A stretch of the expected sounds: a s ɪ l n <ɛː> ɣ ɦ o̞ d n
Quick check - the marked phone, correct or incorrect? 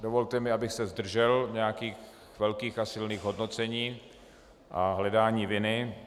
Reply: incorrect